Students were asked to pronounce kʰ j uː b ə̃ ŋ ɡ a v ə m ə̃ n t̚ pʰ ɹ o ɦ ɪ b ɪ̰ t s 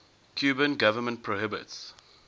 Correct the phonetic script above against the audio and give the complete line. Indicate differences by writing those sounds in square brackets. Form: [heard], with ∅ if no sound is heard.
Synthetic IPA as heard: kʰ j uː b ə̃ [n] ɡ a v ə m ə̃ n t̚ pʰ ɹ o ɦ ɪ b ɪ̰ t s

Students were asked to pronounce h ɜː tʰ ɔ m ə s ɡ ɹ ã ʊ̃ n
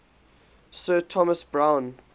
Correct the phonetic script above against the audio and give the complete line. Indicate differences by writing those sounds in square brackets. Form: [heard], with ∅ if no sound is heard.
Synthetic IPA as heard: [s] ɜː tʰ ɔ m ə s [b] ɹ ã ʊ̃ n

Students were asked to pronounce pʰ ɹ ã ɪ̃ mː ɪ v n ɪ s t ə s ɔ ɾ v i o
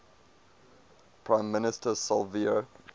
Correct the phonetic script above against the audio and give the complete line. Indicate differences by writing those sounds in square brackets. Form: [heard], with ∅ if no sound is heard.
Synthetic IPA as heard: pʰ ɹ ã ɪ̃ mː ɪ [∅] n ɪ s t ə s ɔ [l] v i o

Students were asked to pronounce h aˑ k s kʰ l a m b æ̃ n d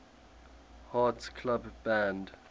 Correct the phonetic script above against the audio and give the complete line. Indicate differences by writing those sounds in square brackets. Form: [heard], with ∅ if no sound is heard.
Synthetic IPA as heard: h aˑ [t] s kʰ l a [b] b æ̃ n d

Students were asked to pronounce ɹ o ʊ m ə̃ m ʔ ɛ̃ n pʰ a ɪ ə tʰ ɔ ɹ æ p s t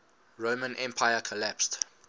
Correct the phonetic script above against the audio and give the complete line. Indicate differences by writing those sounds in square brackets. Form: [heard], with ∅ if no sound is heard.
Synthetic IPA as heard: ɹ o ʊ m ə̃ [n] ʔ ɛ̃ [m] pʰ a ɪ ə [kʰ] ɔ [l] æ p s t

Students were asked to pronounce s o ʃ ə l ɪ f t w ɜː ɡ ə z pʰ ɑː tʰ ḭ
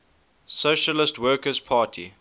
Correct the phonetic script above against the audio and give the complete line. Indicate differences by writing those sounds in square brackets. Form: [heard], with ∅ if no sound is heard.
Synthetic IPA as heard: s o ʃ ə l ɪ [s] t w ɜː [k] ə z pʰ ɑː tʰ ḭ

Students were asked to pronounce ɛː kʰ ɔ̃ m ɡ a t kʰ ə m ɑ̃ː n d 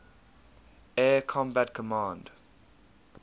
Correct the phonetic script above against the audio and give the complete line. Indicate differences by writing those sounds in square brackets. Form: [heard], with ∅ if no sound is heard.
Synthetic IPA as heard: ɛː kʰ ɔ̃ m [b] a t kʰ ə m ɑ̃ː n d

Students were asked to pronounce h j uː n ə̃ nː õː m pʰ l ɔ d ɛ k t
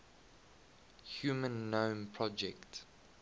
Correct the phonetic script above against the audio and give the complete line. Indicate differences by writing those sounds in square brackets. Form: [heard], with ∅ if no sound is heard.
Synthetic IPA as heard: h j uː [m] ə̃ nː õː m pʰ [ɹ] ɔ [d͡ʒ] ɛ k t

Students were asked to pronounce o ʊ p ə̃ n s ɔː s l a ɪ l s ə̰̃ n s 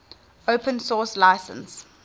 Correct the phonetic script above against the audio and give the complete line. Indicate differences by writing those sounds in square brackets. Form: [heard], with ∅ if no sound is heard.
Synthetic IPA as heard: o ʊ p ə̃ n s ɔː s l a ɪ [∅] s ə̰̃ n s

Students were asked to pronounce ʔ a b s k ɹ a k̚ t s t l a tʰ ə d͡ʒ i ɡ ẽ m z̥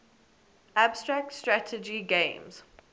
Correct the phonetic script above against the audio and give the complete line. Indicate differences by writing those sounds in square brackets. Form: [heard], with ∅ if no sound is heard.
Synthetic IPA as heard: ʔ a b s [t] ɹ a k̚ t s t [ɹ] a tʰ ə d͡ʒ i ɡ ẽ m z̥

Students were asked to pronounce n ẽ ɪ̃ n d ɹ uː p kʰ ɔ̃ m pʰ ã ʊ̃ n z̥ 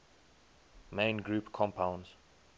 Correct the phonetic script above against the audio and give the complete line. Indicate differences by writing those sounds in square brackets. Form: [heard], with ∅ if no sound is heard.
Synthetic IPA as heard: [m] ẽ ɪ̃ n [ɡ] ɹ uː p kʰ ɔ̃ m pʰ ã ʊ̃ n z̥

